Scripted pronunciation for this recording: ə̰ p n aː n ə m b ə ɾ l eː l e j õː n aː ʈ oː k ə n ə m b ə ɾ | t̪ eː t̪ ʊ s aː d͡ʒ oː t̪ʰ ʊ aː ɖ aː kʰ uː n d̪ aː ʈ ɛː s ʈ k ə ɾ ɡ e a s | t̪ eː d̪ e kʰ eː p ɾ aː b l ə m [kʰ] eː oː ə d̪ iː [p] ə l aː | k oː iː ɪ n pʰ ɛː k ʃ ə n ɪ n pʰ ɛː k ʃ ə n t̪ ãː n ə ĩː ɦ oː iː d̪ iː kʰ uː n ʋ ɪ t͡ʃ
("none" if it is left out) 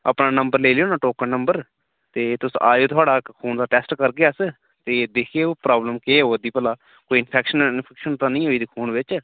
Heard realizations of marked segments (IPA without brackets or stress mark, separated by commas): k, p